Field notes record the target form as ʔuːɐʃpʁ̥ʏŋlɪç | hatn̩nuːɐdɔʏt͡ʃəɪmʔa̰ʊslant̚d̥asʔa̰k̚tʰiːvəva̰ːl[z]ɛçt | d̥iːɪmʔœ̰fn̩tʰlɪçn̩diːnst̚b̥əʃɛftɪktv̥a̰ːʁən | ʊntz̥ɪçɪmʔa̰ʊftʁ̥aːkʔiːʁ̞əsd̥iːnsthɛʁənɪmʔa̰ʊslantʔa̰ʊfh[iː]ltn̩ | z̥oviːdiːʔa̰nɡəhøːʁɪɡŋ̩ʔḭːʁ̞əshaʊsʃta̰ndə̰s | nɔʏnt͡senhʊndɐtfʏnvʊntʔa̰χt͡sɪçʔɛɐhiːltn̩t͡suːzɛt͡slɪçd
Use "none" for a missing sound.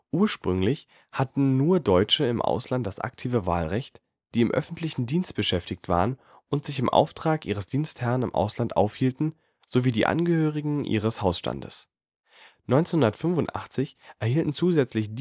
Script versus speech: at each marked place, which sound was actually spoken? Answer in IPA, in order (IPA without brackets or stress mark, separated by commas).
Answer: ʁ, iː